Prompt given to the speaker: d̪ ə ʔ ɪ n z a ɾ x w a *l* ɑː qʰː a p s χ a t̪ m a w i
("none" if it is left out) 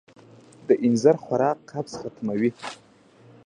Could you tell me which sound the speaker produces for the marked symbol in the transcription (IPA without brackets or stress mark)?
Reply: ɾ